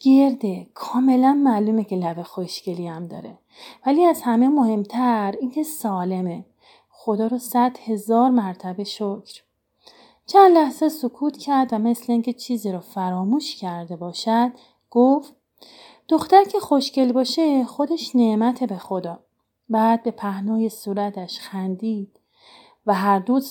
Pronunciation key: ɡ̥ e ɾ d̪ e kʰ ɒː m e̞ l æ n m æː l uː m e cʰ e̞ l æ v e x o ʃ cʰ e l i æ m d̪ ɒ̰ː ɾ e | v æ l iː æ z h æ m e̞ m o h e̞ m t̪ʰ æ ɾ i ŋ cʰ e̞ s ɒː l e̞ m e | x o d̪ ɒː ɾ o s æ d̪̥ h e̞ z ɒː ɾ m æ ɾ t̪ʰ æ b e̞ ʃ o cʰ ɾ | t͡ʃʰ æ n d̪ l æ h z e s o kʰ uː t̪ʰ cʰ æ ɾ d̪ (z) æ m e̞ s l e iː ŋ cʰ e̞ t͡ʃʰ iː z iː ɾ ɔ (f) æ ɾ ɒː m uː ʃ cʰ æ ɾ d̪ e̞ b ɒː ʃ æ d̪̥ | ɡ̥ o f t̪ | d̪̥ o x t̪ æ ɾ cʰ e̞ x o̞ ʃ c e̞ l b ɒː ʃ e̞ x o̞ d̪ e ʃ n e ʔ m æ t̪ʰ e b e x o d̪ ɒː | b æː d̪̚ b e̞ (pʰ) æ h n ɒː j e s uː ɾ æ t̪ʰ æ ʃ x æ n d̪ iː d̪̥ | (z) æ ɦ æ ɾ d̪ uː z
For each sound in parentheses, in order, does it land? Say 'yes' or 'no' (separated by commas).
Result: no, yes, yes, no